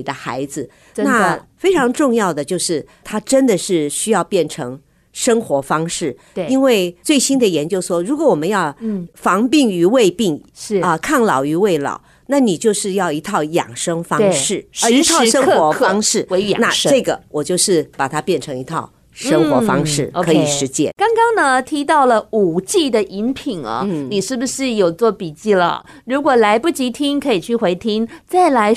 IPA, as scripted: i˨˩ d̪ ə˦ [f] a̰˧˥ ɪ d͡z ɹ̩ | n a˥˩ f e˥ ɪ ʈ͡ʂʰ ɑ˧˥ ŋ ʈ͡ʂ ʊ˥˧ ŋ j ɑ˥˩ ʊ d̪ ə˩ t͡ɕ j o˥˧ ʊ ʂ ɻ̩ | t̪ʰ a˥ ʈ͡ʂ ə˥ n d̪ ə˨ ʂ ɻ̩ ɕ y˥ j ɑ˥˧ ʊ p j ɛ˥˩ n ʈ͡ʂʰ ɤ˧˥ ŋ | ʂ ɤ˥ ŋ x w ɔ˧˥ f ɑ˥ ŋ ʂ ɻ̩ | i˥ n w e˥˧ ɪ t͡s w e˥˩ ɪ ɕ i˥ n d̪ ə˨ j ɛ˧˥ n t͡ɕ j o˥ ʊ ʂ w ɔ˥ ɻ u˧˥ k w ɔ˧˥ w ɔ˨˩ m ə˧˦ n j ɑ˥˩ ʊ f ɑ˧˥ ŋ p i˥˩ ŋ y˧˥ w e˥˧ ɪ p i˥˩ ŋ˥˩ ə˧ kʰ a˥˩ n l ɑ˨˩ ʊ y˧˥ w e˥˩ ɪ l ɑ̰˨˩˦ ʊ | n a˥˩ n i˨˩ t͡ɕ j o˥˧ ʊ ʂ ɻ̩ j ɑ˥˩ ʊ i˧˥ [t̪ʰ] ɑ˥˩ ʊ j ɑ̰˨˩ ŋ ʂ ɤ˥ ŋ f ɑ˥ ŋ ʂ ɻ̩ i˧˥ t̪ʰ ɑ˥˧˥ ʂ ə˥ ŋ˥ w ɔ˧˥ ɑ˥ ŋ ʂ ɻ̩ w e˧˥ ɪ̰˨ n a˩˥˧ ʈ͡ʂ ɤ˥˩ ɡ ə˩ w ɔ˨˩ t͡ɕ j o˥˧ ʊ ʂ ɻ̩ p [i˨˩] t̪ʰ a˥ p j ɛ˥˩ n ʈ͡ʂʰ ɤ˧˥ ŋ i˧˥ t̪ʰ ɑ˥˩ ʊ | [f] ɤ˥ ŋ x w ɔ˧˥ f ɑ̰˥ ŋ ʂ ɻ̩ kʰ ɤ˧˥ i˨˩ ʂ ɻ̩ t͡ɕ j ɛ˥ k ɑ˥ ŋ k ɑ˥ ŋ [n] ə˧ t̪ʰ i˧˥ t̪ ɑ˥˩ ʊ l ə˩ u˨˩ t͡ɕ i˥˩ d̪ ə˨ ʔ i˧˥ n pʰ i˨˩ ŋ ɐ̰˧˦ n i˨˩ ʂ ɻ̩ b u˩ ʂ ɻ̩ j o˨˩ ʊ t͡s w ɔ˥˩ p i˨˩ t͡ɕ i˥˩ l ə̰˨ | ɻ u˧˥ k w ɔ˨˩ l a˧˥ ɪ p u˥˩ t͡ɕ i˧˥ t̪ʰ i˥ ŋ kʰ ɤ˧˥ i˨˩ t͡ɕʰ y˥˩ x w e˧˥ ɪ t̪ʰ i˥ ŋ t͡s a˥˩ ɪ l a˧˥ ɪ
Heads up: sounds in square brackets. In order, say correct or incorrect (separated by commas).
incorrect, correct, incorrect, incorrect, correct